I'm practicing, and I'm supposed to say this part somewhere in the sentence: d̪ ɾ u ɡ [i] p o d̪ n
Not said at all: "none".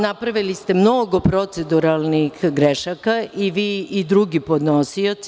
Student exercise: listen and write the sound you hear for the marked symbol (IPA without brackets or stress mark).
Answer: i